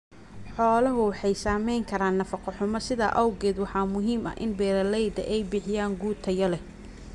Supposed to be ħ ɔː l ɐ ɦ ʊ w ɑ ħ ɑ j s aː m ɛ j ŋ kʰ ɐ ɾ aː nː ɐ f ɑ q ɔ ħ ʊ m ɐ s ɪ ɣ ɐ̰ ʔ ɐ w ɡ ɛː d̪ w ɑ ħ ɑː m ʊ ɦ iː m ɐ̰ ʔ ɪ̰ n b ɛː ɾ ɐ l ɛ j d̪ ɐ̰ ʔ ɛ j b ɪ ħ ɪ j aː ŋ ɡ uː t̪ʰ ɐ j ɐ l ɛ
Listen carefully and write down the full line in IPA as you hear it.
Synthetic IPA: ħ ɔː l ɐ ɦ ʊ w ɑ ħ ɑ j s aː m ɛ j ŋ kʰ ɐ ɾ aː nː ɐ f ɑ q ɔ ħ ʊ m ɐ s ɪ ð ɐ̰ ʔ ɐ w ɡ ɛː d̪ w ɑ ħ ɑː m ʊ ɦ iː m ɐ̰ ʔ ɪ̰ n b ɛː ɾ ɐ l ɛ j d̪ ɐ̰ ʔ ɛ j b ɪ ħ ɪ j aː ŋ ɡ uː t̪ʰ ɐ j ɐ l ɛ